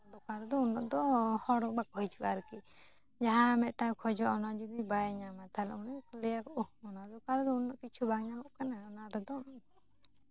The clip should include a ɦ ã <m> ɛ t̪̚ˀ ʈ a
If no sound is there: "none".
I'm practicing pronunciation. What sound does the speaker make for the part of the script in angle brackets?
m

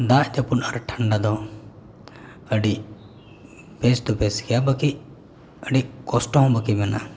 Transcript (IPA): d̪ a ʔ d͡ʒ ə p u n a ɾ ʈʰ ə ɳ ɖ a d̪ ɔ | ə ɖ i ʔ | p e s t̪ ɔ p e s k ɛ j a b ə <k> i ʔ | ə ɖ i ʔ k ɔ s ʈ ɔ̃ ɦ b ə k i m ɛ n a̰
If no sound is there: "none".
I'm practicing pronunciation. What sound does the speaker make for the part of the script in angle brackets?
k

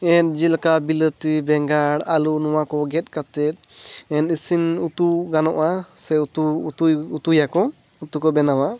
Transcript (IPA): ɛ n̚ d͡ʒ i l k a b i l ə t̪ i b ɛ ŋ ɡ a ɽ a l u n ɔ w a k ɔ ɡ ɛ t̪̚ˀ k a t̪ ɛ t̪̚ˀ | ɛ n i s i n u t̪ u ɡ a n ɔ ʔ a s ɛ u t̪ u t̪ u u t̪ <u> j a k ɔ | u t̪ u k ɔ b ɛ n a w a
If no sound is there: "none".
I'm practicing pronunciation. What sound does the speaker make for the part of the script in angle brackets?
u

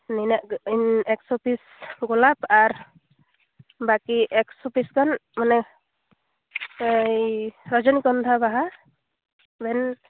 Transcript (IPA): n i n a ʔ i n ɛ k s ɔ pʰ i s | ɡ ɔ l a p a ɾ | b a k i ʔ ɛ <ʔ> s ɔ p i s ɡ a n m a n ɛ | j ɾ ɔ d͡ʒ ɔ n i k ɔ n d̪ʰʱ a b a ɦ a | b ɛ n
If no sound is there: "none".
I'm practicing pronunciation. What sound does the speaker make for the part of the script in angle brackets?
k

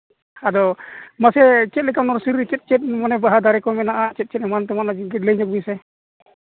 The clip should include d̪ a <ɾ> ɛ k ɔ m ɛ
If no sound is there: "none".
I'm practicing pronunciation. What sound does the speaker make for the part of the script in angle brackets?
ɾ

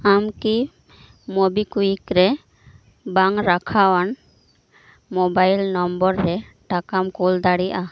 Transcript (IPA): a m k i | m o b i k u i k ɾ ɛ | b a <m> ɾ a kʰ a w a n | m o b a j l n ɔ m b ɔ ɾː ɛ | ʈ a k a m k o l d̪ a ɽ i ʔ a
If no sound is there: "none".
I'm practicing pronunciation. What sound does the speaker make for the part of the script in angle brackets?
ŋ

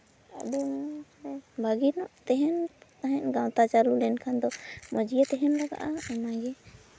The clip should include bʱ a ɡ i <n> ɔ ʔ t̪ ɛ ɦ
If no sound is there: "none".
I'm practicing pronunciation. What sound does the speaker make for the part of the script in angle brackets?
n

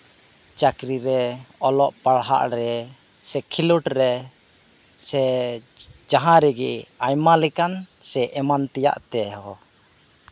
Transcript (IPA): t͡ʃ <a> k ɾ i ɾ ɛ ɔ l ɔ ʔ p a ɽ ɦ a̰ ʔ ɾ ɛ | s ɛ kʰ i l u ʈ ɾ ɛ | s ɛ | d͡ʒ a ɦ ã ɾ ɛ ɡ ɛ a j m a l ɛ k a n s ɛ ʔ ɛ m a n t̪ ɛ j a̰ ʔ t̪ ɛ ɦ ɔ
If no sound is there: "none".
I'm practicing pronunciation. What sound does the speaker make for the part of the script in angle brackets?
a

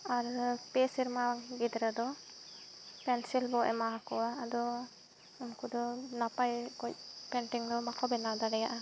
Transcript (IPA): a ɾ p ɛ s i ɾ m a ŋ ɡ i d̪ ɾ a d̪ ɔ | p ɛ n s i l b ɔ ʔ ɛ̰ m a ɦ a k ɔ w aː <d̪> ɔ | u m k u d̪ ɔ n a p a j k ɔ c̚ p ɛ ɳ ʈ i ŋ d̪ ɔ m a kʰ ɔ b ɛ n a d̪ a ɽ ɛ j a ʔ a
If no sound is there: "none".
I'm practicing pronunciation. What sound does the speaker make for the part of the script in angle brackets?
d̪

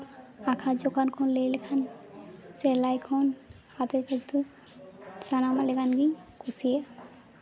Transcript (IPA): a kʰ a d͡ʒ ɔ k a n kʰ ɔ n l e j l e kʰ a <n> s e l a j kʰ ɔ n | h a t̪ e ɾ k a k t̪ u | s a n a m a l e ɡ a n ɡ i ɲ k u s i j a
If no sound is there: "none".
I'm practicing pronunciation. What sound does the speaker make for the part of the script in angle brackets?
n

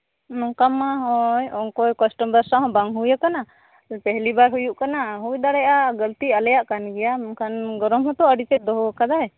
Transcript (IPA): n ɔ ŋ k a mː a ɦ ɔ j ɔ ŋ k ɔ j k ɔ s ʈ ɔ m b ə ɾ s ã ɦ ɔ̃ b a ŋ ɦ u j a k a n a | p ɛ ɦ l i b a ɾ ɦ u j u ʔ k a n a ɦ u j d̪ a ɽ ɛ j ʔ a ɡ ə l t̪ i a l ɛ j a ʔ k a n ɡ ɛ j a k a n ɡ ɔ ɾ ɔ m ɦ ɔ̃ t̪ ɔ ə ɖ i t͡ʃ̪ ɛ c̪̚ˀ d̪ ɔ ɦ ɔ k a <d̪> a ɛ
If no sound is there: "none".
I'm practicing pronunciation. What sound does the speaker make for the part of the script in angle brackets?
d̪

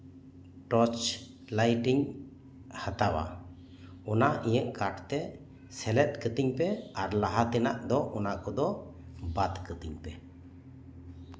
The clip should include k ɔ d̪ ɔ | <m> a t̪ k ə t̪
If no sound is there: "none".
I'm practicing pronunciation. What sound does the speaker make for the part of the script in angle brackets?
b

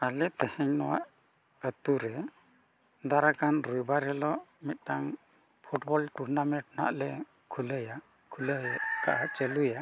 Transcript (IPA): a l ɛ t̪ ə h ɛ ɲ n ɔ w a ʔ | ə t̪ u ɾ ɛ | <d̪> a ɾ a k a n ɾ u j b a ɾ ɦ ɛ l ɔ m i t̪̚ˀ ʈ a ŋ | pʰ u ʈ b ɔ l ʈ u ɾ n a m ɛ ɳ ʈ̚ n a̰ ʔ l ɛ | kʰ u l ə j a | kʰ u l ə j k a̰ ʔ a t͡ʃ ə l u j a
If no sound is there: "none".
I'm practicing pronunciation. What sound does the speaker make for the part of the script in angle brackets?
d̪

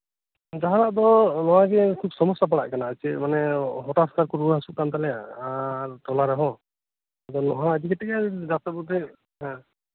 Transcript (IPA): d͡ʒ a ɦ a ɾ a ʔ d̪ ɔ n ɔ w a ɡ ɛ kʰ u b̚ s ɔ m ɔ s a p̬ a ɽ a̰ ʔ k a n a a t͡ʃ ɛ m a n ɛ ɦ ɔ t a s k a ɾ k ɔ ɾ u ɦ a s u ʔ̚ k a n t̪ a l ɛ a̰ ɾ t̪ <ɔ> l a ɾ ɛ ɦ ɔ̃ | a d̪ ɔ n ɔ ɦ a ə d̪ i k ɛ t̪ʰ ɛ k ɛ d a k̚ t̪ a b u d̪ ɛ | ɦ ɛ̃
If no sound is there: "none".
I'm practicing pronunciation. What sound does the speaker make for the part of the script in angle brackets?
ɔ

